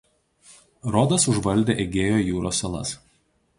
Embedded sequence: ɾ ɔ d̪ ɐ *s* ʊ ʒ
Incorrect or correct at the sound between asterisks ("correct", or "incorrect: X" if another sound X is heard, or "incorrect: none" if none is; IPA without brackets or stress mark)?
correct